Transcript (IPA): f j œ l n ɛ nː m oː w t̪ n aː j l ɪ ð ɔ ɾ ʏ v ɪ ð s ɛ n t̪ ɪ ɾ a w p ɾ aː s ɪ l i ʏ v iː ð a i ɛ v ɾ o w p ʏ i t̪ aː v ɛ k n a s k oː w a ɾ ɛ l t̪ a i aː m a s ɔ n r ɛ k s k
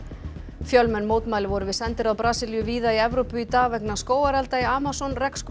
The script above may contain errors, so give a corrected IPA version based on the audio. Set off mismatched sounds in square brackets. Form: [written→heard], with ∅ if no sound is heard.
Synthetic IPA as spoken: f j œ l [n→m] ɛ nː m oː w t̪ [n→m] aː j l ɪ [ð→v] ɔ ɾ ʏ v ɪ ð s ɛ n t̪ ɪ ɾ a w p ɾ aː s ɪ l [i→j] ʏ v iː ð a i ɛ v ɾ o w p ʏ i t̪ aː v ɛ k n a s k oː w a ɾ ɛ l t̪ a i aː m a s ɔ n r ɛ k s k